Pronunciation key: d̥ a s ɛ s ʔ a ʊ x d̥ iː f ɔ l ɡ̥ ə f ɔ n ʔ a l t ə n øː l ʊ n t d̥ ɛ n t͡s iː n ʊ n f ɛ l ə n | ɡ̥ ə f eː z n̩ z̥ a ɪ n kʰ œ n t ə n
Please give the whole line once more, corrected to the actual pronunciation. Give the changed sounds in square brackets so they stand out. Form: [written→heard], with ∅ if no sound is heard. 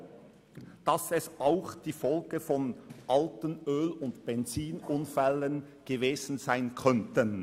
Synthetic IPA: d̥ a s ɛ s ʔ a ʊ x d̥ iː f ɔ l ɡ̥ ə f ɔ n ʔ a l t ə n øː l ʊ n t [d̥→b̥] ɛ n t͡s iː n ʊ n f ɛ l ə n | ɡ̥ ə [f→v] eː z n̩ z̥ a ɪ n kʰ œ n t ə n